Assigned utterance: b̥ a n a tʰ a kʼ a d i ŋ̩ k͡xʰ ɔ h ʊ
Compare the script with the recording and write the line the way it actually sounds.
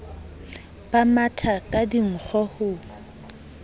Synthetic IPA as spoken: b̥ a m a tʰ a kʼ a d i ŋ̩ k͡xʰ ɔ h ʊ